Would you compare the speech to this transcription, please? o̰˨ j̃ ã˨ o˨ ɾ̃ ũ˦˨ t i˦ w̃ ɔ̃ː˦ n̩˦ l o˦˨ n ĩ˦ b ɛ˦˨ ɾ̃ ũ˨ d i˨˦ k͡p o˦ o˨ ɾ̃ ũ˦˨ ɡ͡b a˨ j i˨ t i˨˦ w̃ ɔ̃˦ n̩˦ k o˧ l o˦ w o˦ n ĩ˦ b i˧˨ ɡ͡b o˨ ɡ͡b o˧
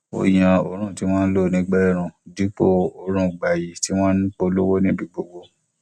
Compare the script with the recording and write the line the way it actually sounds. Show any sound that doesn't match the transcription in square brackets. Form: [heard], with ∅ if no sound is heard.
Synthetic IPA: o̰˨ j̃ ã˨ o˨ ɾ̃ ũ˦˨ t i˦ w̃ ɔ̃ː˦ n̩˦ l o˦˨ n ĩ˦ [ɡ͡b] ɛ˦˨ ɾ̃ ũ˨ d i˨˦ k͡p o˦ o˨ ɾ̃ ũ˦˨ ɡ͡b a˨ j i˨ t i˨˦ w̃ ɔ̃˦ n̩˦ [k͡p] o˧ l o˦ w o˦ n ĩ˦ b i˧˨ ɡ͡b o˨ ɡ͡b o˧